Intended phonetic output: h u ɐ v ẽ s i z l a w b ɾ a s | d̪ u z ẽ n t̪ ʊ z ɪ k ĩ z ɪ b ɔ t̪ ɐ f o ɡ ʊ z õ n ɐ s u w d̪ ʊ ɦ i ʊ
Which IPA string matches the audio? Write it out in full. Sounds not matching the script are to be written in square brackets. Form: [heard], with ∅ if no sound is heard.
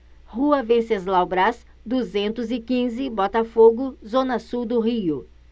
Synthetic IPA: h u ɐ v ẽ s [e] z l a w b ɾ a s | d̪ u z ẽ n t̪ ʊ z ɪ k ĩ z ɪ b ɔ t̪ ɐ f o ɡ ʊ z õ n ɐ s u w d̪ ʊ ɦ i ʊ